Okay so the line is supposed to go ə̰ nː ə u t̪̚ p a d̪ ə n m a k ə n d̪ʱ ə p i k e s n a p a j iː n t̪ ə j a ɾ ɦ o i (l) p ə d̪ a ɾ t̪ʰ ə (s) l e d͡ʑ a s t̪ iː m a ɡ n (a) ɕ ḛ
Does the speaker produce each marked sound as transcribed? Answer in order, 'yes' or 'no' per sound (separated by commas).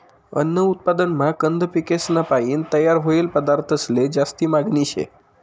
yes, yes, no